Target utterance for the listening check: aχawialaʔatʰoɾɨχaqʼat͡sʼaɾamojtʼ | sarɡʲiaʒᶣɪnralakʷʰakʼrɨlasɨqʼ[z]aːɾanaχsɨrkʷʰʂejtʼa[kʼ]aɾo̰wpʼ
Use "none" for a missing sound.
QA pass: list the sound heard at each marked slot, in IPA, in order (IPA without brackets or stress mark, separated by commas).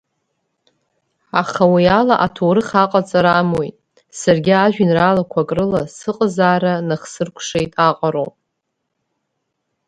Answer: z, qʼ